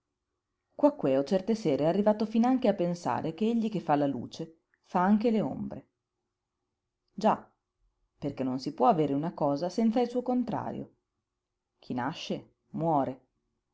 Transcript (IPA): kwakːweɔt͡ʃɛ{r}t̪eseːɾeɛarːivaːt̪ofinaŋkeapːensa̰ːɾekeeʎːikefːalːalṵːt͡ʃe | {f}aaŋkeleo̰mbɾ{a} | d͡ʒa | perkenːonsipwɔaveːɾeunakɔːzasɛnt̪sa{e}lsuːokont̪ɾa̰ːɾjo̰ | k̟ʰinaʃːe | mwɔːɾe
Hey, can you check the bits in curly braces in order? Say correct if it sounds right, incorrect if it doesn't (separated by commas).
correct, correct, incorrect, incorrect